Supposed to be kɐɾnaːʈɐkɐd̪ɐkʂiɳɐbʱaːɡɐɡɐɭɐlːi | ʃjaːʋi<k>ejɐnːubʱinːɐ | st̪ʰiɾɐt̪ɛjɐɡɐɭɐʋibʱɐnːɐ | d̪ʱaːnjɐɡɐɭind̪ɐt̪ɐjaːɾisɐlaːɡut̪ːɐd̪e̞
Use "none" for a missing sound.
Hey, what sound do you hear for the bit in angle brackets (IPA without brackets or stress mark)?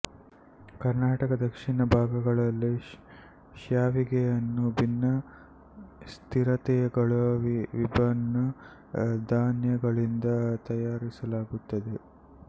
ɡ